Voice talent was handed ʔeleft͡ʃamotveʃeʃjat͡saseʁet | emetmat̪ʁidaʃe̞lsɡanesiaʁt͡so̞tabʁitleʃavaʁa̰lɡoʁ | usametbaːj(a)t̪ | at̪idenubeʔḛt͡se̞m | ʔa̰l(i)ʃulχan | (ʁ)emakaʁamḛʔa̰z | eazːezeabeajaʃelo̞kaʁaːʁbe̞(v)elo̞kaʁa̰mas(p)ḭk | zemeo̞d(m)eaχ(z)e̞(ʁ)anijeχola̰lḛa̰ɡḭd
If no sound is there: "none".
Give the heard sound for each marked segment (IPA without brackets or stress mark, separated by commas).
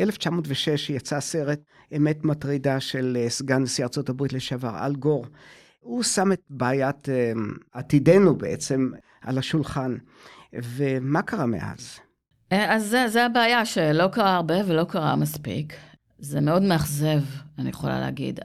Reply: a, a, v, v, p, m, z, v